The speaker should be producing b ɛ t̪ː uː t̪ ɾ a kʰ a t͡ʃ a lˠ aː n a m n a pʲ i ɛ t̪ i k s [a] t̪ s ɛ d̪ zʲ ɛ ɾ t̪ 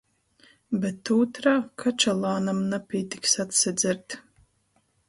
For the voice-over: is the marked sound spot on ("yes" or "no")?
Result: yes